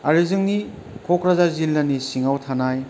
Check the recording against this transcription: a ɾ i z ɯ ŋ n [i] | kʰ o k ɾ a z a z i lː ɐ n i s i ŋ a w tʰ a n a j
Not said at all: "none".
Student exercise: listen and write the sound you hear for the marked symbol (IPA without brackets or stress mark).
i